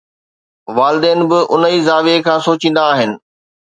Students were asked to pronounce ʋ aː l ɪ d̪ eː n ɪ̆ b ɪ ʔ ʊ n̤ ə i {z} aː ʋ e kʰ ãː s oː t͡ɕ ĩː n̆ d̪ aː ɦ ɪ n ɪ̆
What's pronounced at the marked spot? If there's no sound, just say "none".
z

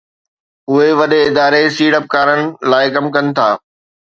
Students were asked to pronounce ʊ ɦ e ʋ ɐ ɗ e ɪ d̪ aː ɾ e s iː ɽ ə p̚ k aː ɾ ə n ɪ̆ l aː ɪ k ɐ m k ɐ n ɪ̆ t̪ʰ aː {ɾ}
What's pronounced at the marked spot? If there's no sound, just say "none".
none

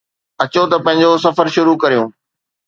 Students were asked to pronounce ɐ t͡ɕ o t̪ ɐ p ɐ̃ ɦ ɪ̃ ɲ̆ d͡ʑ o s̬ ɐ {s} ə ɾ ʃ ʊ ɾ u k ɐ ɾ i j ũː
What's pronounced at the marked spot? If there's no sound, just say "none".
f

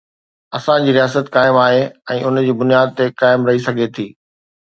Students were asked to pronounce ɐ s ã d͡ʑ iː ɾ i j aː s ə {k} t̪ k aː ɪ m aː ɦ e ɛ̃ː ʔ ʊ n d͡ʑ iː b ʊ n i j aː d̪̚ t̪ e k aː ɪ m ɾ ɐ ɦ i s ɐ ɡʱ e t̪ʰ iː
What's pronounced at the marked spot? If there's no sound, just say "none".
none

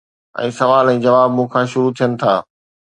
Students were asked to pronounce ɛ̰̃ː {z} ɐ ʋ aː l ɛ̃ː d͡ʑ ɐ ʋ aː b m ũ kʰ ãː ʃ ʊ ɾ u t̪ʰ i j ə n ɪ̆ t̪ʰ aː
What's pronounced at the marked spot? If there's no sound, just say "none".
s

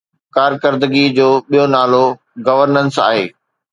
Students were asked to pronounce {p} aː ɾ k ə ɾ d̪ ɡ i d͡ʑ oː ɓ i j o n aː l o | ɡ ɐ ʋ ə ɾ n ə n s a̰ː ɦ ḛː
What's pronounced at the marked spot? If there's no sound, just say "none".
k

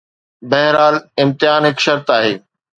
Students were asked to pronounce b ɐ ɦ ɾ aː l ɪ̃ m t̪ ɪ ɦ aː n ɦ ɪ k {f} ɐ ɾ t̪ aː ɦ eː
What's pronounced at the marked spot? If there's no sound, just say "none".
ʃ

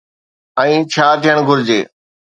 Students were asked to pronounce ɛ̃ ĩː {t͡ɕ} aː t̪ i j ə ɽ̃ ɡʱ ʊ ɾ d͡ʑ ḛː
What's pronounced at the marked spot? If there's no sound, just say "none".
t͡ɕʰ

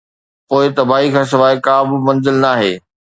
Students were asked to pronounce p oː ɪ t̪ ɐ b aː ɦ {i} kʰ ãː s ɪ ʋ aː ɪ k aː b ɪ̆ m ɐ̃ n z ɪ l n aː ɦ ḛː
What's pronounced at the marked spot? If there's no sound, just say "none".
i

